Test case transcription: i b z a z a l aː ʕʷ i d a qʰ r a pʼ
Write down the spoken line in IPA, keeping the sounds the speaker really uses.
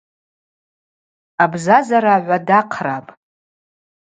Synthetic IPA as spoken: a b z a z a ɾ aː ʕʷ a d a qʰ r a pʼ